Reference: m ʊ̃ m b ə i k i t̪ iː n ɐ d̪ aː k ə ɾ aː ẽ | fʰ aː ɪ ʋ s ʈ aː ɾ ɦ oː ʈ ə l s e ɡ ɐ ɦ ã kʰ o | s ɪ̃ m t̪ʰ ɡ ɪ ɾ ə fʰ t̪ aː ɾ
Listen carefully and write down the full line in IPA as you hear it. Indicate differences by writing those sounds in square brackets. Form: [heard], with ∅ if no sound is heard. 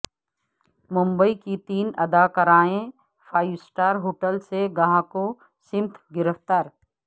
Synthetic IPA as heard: m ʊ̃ m b ə i k i t̪ iː n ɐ d̪ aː k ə ɾ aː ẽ | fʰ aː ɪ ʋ s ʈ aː ɾ ɦ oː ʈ ə l s e ɡ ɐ ɦ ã [k] o | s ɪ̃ m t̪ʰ ɡ ɪ ɾ ə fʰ t̪ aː ɾ

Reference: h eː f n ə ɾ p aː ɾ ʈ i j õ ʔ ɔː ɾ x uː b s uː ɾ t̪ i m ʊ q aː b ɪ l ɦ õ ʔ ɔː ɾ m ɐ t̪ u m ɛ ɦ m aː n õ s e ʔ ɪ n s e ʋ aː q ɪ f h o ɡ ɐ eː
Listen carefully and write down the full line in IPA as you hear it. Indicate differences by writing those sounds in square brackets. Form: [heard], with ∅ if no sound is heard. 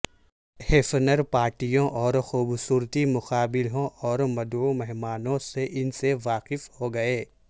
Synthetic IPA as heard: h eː f n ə ɾ p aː ɾ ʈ i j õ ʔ ɔː ɾ x uː b s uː ɾ t̪ i m ʊ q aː b ɪ l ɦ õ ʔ ɔː ɾ m ɐ [d̪] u m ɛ ɦ m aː n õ s e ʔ ɪ n s e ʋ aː q ɪ f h o ɡ ɐ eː

